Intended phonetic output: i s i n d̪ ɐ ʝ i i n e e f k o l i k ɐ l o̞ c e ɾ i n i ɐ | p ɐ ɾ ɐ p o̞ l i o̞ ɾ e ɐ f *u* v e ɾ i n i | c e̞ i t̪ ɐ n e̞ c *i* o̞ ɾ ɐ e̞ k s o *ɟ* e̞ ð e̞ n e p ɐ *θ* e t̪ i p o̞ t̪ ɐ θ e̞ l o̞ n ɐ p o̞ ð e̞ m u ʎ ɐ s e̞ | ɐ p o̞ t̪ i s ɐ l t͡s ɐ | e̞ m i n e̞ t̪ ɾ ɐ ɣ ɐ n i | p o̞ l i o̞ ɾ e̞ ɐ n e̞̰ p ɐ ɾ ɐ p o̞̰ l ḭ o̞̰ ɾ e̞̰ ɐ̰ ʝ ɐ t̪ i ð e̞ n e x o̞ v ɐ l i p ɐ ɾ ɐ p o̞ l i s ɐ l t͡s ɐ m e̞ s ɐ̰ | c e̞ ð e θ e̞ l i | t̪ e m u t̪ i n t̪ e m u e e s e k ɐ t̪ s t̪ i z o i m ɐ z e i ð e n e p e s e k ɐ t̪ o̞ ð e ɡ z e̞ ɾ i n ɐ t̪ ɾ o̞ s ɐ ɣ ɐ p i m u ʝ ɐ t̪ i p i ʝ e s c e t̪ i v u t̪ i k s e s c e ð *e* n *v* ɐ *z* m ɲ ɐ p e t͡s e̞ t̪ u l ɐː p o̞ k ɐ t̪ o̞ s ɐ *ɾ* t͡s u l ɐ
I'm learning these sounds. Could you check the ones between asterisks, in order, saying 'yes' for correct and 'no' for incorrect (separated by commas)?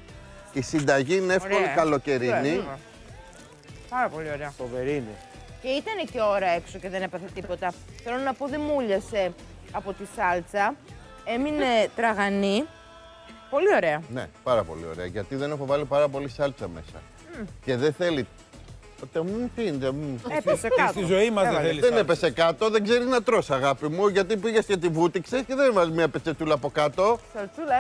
no, no, no, yes, yes, yes, yes, no